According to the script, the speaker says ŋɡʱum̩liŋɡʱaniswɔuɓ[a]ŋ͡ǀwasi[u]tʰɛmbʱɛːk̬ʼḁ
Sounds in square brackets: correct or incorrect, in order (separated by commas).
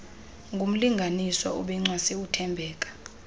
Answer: incorrect, correct